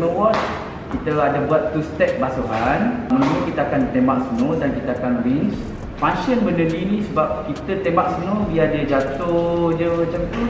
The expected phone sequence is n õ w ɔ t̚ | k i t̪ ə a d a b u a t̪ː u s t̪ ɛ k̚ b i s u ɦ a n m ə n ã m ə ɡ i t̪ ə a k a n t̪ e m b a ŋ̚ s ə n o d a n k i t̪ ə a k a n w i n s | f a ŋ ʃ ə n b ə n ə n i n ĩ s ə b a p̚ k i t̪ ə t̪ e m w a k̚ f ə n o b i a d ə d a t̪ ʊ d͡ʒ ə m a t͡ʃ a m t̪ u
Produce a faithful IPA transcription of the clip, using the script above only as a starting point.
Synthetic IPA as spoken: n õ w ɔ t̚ | k i t̪ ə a d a b u a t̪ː u s t̪ ɛ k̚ b a s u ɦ a n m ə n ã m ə k i t̪ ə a k a n t̪ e m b a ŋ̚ s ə n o d a n k i t̪ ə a k a n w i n s | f a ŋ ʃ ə n b ə n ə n i n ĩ s ə b a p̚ k i t̪ ə t̪ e m b a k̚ s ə n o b i a d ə d͡ʒ a t̪ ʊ d͡ʒ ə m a t͡ʃ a m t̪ u